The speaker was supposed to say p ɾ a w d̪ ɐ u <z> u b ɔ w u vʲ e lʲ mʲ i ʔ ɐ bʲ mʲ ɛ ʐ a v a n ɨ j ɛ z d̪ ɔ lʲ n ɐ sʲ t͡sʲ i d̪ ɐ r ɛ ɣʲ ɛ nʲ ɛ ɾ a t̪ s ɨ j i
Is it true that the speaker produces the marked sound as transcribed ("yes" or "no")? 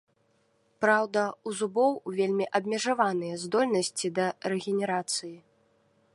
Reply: yes